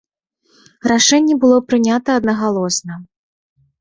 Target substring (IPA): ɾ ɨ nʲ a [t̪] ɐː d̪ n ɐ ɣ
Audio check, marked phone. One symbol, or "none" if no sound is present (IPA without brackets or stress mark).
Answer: t̪